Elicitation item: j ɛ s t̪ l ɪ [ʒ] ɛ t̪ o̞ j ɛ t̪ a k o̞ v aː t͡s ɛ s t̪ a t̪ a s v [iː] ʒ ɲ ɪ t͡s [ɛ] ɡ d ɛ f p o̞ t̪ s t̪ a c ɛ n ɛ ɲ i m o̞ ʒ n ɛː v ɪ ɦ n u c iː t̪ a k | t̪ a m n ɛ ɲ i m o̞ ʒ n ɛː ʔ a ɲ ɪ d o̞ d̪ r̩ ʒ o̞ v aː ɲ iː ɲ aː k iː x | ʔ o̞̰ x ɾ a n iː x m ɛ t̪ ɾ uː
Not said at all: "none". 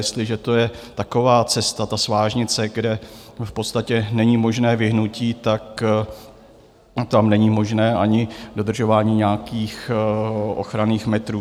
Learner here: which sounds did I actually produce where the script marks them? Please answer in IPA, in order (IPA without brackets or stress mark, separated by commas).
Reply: ʒ, aː, ɛ